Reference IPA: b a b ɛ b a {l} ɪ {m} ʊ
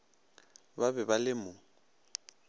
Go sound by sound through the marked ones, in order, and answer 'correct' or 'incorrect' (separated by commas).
correct, correct